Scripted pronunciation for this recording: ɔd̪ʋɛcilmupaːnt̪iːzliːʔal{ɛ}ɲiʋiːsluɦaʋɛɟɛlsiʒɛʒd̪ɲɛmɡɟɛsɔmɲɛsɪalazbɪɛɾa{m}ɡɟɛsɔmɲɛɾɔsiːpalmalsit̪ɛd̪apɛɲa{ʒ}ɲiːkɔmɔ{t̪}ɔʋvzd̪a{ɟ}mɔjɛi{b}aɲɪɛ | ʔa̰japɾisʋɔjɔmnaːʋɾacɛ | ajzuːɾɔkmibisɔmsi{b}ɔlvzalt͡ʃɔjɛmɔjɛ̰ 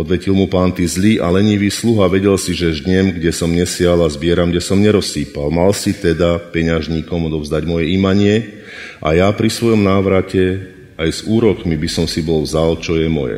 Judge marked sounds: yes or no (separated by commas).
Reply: yes, yes, yes, no, yes, no, yes